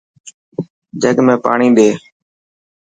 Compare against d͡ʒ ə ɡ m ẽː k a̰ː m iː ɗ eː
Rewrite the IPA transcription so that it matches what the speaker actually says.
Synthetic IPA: d͡ʒ ə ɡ m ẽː p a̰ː ɳ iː ɗ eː